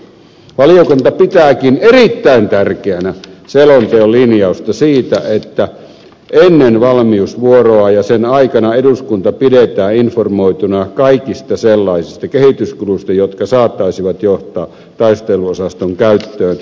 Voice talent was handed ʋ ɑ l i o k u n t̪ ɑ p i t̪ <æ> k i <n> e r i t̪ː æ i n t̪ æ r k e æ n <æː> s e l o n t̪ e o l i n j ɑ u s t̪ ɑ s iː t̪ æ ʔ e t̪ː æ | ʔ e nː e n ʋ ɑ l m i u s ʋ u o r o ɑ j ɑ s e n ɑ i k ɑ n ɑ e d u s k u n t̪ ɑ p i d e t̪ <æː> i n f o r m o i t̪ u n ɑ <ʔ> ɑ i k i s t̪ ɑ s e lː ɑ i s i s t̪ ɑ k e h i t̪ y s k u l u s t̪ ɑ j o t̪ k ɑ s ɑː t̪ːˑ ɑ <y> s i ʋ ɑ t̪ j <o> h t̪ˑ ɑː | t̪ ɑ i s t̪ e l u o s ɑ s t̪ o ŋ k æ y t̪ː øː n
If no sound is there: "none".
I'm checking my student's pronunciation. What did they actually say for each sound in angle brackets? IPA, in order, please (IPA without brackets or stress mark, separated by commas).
æː, n, æ, æː, k, i, o